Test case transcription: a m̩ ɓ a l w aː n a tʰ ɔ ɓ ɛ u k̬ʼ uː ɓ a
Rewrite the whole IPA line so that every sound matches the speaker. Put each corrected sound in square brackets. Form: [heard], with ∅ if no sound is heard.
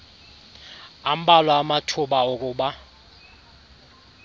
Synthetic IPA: a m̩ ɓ a l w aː [m] a tʰ [u] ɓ [a] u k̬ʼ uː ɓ a

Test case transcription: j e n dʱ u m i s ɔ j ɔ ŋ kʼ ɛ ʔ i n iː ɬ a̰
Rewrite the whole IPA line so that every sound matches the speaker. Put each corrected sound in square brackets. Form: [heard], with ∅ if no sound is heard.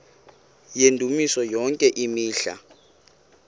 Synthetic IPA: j e n dʱ u m i s ɔ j ɔ ŋ kʼ ɛ ʔ i [m] iː ɬ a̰

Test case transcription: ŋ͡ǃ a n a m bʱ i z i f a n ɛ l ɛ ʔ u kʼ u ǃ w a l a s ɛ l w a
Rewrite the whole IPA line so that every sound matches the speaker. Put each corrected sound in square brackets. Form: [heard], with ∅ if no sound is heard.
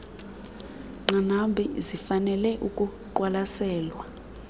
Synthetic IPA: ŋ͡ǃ a n a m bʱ i z i f a n ɛ l ɛ ʔ u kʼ u ǃ w a l a s [ɛː] l w a

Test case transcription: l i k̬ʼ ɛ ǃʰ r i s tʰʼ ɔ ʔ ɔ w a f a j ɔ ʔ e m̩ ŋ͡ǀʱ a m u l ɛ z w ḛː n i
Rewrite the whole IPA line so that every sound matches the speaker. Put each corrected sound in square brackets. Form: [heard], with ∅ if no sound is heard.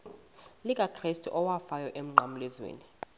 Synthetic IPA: l i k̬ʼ [a] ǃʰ r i s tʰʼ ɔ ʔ ɔ w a f a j ɔ ʔ e m̩ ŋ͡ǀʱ a m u l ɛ z w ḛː n i

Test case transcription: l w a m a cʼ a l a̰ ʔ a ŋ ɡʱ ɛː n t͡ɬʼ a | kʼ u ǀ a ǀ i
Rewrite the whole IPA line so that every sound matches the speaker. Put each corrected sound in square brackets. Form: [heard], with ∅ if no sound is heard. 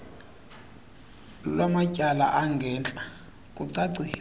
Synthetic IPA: l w a m a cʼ a l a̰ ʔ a ŋ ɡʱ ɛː n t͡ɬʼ a | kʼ u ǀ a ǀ i

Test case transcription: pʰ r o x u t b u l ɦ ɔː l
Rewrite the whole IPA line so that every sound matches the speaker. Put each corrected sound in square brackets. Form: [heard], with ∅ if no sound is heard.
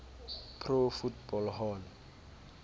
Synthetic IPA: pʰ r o [f] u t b [ɔ] l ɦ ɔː l

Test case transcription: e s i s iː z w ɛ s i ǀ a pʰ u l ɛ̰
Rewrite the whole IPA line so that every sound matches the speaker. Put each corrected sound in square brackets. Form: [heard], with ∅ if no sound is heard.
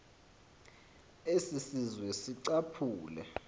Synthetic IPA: e s i s [i] z w ɛ s i ǀ a pʰ [uː] l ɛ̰

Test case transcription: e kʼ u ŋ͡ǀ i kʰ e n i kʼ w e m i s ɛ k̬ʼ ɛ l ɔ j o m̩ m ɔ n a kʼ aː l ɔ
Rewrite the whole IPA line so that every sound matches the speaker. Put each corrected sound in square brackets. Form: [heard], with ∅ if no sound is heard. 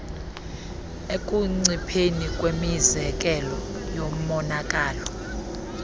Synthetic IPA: e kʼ u ŋ͡ǀ i [pʰ] e n i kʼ w e m i [z] ɛ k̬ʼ ɛ l ɔ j o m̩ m ɔ n a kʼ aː l ɔ

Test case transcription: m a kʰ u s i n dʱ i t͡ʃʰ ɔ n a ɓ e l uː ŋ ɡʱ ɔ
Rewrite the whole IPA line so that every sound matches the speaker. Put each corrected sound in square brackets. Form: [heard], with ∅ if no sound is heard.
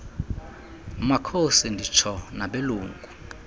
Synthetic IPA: m a kʰ [o] s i n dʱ i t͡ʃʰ ɔ n a ɓ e l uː ŋ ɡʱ [u]

